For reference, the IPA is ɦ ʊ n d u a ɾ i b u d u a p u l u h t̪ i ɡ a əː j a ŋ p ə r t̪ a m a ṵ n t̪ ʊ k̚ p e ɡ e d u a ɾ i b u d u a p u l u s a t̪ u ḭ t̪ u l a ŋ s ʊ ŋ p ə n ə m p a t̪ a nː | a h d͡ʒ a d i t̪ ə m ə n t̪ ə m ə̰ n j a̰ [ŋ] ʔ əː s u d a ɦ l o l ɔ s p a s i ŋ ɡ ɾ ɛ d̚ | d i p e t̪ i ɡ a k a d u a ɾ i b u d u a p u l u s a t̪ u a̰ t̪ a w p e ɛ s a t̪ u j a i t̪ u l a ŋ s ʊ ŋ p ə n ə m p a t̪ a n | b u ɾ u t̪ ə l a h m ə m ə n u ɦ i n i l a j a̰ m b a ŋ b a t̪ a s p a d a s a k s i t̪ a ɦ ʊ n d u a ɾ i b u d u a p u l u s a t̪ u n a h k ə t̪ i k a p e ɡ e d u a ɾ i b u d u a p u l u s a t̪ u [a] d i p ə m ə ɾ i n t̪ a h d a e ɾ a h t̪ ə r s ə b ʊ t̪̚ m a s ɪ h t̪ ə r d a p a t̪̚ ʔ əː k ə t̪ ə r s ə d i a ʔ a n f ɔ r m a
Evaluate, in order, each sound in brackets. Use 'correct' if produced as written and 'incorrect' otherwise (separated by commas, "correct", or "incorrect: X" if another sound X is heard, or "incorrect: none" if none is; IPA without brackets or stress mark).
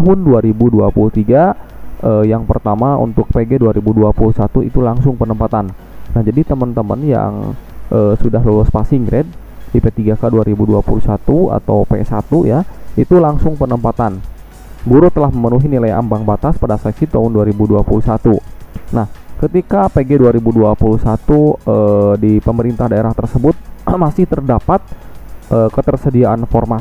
correct, incorrect: ə